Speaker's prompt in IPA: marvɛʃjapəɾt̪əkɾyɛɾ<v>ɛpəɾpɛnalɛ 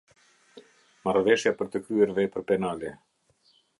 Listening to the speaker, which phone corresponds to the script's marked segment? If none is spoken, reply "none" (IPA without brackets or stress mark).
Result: v